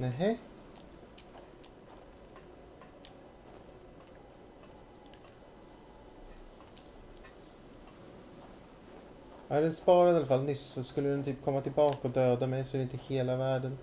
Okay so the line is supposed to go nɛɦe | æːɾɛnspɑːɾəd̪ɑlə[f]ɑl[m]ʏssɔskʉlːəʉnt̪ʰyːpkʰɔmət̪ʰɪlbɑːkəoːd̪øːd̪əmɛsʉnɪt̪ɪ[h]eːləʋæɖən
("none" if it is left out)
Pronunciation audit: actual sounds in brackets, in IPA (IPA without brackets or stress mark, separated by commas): f, n, h